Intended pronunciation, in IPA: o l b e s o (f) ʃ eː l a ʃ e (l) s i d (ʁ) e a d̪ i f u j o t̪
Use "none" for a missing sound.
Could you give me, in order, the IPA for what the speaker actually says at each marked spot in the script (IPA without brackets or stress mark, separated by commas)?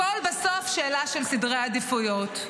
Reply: f, l, ʁ